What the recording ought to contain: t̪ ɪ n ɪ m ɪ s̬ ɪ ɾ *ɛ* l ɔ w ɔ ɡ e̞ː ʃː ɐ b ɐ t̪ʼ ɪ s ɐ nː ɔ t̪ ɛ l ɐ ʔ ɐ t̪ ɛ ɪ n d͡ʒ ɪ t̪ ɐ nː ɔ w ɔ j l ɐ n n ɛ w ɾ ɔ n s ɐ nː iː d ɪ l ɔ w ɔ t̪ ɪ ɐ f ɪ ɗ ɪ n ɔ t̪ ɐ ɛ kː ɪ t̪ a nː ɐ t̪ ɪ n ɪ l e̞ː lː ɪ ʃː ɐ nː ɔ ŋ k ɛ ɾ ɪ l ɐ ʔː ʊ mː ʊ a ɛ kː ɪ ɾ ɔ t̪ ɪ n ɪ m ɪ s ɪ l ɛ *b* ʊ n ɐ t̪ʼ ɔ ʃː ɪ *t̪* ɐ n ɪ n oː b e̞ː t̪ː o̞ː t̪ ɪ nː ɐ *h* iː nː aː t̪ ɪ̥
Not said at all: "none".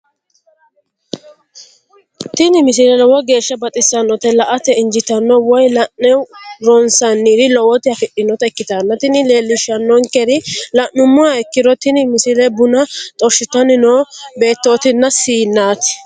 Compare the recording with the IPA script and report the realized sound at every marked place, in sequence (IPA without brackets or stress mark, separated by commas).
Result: ɛ, b, t̪, s